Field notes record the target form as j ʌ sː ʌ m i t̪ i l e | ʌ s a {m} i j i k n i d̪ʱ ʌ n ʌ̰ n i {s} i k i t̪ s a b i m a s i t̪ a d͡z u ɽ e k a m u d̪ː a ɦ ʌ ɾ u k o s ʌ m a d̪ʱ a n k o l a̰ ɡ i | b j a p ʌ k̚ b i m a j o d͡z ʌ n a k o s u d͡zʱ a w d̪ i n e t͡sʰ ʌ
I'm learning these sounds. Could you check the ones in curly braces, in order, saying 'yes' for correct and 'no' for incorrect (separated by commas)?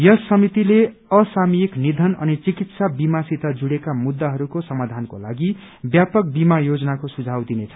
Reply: yes, no